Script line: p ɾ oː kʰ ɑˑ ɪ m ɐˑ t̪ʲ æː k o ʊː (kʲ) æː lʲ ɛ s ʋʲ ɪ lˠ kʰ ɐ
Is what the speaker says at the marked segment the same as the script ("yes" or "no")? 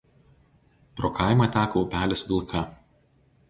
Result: no